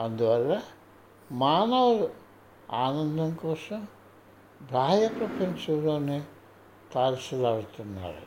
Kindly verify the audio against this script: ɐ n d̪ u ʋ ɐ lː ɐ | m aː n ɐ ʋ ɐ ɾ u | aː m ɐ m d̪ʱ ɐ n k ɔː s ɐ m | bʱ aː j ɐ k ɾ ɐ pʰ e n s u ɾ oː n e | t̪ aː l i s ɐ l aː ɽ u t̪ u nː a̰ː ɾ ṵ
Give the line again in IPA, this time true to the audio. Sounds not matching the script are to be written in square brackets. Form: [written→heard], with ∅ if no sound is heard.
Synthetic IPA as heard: ɐ n d̪ u ʋ ɐ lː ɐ | m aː n ɐ ʋ ɐ ɾ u | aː [m→n] ɐ [m→n] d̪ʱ ɐ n k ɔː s ɐ m | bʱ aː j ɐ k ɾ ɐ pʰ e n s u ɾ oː n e | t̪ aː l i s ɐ l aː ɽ u t̪ u nː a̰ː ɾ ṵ